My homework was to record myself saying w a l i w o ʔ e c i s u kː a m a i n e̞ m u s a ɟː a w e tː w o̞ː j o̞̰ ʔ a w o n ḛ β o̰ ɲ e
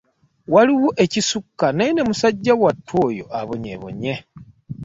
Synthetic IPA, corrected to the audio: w a l i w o ʔ e c i s u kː a n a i n e̞ m u s a ɟː a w a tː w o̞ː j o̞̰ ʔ a β o ɲ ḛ β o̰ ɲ e